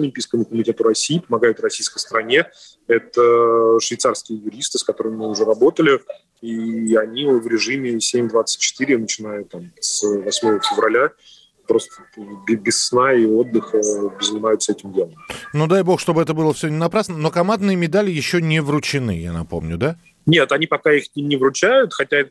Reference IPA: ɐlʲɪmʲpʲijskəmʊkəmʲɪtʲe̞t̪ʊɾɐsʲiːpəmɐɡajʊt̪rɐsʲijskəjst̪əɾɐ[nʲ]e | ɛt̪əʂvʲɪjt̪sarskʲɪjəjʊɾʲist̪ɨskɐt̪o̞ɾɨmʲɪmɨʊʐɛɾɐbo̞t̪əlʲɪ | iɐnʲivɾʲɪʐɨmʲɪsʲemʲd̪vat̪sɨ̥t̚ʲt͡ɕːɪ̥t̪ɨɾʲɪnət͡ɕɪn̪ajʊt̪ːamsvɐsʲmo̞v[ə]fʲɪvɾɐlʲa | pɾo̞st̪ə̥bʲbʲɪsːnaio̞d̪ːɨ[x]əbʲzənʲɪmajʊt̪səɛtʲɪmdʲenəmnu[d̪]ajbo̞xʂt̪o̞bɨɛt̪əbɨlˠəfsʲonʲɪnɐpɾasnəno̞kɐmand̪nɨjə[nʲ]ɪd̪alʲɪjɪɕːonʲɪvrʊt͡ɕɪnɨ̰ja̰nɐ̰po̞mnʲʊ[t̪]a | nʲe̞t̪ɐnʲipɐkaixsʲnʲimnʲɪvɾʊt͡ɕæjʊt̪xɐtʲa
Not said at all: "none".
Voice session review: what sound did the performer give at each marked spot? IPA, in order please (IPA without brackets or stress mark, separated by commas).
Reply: nʲ, ə, x, d̪, mʲ, d̪